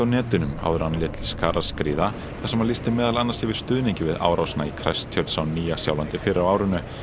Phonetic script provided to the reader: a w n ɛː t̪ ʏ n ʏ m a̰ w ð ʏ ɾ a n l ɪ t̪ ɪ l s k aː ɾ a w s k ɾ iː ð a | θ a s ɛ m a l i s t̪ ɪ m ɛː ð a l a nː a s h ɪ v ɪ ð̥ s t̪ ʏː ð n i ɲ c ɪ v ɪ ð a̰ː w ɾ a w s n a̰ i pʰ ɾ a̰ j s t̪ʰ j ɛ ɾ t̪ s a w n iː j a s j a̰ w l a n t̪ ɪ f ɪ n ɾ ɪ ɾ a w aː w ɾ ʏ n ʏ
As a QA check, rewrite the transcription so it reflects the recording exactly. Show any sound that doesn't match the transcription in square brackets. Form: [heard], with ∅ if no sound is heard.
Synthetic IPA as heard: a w n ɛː t̪ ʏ n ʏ m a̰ w ð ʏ ɾ a n l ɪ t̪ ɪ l s k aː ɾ a [∅] s k ɾ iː ð a | θ a s ɛ m a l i s t̪ ɪ m ɛː ð a l a nː a s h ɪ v ɪ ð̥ s t̪ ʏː ð n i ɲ c ɪ v ɪ ð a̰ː w ɾ a w s n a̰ i [kʰ] ɾ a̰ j s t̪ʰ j [œ] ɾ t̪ s a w n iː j a s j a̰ w l a n t̪ ɪ f ɪ [∅] ɾ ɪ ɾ a w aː w ɾ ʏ n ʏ